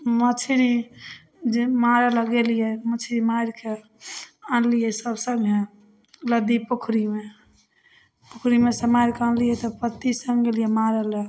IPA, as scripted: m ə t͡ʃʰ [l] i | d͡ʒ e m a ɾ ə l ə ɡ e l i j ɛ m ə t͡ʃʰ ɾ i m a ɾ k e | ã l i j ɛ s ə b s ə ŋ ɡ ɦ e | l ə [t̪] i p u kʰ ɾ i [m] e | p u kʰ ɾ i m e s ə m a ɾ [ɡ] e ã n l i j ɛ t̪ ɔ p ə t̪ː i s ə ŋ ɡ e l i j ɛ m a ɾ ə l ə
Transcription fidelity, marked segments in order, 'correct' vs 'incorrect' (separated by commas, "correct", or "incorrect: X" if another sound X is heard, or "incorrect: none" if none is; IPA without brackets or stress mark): incorrect: ɾ, incorrect: d̪, correct, incorrect: k